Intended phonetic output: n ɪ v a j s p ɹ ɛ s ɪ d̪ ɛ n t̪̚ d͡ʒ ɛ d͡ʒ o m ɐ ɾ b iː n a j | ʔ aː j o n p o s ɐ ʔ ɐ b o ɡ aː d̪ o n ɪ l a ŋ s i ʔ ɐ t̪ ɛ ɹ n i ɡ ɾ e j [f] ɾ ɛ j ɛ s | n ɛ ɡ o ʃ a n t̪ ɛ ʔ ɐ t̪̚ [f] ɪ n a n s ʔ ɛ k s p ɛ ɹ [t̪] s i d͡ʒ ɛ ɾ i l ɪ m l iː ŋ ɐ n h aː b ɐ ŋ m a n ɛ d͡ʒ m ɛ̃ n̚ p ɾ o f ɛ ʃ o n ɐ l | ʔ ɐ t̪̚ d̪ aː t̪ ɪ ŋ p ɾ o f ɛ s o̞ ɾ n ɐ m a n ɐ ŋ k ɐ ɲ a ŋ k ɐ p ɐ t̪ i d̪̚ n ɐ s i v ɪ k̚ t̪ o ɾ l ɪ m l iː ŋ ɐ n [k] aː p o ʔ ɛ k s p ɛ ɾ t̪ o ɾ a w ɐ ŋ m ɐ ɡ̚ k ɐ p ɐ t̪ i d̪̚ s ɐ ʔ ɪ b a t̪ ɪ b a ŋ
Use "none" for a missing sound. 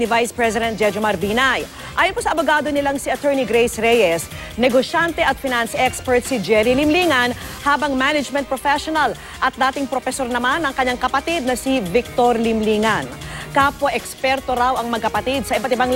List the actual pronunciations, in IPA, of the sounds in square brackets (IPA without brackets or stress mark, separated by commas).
s, f, t̪, k